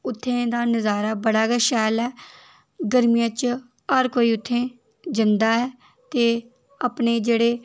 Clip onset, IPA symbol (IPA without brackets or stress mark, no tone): ʊ